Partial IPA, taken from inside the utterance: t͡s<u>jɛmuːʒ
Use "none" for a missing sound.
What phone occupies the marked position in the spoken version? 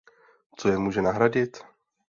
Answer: o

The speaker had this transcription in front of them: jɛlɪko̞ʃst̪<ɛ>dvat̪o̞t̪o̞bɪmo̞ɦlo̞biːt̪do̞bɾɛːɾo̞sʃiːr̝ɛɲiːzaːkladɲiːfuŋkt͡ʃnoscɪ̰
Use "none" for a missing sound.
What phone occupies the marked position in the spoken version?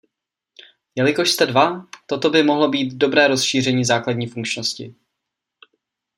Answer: ɛ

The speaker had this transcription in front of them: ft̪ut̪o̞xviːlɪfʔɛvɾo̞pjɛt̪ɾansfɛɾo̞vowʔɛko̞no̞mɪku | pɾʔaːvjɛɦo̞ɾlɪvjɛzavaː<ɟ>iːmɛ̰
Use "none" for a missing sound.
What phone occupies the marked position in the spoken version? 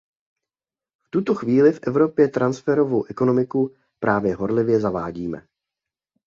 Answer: ɟ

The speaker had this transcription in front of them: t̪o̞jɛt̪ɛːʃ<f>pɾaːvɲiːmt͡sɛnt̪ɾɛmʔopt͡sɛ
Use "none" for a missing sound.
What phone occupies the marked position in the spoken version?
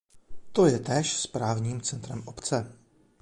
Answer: s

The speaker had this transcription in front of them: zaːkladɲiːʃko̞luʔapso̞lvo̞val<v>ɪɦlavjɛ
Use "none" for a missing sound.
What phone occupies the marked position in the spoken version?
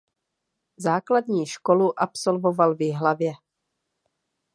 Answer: v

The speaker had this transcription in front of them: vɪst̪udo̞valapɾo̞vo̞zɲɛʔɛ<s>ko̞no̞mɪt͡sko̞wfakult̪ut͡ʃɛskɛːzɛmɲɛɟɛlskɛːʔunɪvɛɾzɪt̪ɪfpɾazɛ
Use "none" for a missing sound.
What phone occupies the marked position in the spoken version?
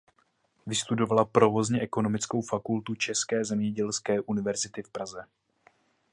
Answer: none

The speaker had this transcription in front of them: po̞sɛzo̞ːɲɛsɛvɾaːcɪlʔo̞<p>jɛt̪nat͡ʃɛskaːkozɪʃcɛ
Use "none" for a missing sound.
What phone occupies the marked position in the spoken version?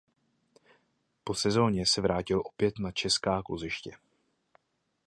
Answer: p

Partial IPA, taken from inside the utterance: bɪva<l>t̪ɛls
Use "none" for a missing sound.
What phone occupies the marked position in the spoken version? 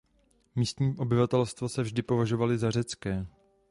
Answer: none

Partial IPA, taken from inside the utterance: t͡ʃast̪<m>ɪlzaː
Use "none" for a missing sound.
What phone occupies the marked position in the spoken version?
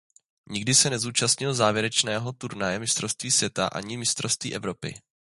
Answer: ɲ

